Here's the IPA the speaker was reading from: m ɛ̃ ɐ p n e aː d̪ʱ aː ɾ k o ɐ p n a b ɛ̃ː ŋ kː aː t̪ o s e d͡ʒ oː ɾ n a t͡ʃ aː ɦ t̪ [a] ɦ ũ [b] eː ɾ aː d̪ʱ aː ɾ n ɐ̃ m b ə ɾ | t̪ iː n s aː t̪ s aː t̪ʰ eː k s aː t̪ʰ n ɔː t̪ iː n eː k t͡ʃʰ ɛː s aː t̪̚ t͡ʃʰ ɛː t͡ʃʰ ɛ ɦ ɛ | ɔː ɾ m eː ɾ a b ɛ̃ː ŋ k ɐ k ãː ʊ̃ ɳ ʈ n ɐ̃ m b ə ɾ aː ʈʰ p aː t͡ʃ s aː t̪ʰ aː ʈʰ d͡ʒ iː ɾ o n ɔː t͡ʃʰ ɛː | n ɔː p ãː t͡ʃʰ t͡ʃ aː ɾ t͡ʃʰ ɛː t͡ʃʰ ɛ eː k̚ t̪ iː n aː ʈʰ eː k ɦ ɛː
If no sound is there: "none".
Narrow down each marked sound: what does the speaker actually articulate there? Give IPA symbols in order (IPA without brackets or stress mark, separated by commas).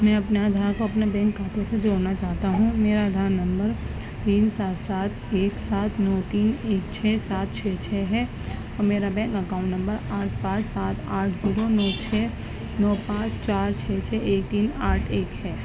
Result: a, m